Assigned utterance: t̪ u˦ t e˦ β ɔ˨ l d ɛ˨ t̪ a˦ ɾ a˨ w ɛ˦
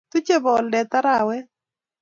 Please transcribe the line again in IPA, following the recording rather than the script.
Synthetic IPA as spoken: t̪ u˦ t͡ʃ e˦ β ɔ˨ l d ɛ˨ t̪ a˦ ɾ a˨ w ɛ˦